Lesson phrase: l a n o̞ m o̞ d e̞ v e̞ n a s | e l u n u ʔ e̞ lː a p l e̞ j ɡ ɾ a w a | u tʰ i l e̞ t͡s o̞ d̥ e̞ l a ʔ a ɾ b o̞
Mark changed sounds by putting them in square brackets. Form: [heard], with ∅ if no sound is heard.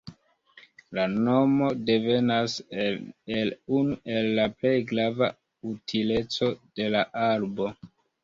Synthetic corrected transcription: l a n o̞ m o̞ d e̞ v e̞ n a s | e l u n u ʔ e̞ lː a p l e̞ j ɡ ɾ a [v] a | u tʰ i l e̞ t͡s o̞ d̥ e̞ l a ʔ a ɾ b o̞